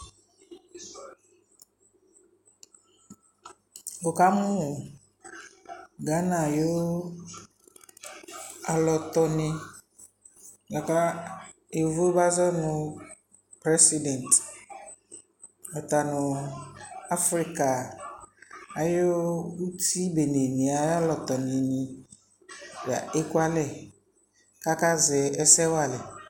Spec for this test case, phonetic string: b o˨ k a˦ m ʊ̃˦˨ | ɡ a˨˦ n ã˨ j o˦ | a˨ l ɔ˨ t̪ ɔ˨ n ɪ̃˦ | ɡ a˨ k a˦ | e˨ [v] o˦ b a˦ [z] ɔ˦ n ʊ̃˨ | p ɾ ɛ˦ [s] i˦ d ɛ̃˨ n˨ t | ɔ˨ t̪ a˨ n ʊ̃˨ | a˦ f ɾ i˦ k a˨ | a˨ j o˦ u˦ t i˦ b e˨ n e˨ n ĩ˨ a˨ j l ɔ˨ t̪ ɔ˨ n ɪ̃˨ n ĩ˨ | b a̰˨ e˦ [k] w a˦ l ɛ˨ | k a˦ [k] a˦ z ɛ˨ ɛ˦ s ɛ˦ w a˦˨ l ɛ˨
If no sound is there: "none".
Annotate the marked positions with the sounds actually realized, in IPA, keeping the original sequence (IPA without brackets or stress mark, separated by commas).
v, z, s, k, k